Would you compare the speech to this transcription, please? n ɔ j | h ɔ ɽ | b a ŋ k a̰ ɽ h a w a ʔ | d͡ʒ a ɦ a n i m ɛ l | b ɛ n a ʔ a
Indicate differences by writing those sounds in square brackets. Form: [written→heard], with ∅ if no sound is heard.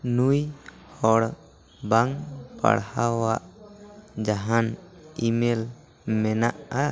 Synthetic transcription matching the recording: n [ɔ→u] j | h ɔ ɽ | b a ŋ [k→p] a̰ ɽ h a w a ʔ | d͡ʒ a ɦ a n i m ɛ l | [b→m] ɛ n a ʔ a